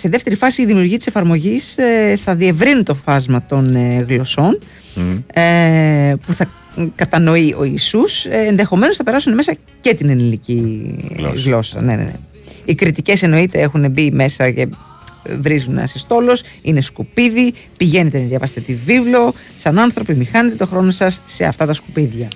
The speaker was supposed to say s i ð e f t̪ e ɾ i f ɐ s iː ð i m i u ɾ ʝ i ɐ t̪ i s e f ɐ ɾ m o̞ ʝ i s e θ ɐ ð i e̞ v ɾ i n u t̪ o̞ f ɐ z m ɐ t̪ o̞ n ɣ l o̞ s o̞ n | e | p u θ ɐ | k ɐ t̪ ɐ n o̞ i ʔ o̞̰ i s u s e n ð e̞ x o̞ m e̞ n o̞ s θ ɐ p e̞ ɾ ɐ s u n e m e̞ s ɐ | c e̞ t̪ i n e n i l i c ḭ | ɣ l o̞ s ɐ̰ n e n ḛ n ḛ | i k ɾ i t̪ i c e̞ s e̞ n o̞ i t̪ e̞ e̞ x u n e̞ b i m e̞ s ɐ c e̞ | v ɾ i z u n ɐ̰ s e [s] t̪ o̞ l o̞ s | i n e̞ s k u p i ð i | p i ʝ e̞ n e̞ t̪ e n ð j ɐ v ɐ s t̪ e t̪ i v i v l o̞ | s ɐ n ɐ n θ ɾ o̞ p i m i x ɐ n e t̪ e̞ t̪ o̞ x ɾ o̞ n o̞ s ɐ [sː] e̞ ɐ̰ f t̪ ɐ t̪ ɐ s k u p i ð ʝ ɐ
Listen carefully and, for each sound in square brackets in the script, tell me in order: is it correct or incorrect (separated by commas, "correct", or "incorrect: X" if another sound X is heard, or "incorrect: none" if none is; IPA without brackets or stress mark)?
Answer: correct, correct